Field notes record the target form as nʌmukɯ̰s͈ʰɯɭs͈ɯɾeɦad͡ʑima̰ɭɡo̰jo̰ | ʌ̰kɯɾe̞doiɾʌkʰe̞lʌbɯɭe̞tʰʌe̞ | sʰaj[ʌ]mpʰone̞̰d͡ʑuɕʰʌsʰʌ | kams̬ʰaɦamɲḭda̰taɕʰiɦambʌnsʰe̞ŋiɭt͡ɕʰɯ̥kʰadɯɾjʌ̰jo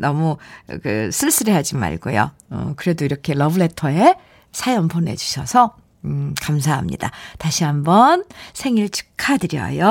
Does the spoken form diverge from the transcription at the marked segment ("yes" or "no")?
no